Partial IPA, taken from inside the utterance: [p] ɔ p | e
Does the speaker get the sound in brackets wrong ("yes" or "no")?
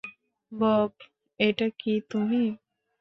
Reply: yes